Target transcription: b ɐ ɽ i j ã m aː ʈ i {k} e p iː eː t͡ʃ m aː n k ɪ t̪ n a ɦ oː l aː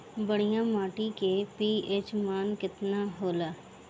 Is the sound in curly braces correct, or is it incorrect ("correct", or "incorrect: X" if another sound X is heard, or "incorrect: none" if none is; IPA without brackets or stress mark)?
correct